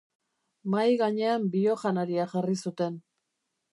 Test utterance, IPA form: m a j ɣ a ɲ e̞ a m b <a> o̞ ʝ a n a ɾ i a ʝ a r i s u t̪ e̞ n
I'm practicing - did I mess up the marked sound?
yes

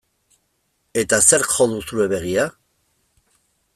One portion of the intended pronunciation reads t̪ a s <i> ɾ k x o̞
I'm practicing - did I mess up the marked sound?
yes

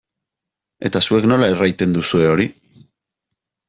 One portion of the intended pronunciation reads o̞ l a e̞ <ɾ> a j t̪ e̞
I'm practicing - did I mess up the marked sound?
yes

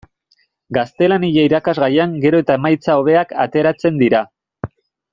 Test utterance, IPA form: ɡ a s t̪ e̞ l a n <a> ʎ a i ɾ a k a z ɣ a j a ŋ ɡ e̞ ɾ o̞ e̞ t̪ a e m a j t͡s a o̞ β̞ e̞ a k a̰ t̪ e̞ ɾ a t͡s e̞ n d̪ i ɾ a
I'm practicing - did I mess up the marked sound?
yes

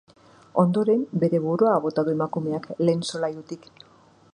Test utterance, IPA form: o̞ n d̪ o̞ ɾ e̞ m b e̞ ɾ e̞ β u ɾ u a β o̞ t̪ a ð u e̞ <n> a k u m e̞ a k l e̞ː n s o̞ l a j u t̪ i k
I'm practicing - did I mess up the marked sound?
yes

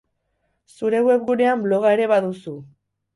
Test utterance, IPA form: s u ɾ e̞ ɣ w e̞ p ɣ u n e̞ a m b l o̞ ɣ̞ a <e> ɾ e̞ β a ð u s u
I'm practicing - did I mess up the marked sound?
no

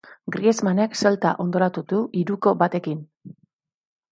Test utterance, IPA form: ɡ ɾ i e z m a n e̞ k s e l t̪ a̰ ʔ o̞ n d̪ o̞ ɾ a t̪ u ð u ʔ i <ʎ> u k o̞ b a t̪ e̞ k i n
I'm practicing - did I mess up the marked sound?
yes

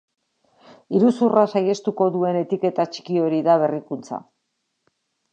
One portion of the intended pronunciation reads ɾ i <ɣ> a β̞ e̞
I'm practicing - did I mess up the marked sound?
yes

